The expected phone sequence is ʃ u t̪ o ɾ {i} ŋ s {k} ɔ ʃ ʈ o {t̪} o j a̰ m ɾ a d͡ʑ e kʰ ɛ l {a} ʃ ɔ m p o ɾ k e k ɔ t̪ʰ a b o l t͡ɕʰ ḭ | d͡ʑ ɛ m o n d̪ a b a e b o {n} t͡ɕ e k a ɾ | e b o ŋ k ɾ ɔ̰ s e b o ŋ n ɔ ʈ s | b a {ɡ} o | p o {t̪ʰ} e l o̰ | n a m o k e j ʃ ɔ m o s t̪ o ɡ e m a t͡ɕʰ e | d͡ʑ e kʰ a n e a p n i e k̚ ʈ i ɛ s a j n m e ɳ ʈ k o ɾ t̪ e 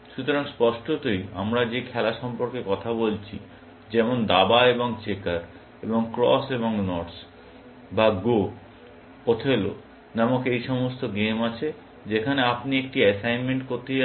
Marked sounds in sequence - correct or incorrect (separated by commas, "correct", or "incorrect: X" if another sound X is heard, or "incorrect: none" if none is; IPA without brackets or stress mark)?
incorrect: a, incorrect: p, correct, correct, incorrect: ŋ, correct, correct